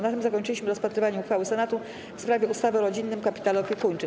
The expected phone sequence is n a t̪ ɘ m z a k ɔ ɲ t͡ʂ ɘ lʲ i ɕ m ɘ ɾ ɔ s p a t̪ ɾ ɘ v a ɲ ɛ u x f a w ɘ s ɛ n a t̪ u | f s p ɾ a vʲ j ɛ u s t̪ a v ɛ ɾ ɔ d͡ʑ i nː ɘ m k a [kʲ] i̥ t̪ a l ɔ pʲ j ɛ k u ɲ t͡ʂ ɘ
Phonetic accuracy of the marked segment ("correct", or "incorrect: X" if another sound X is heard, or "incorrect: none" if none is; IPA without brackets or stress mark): incorrect: pʲ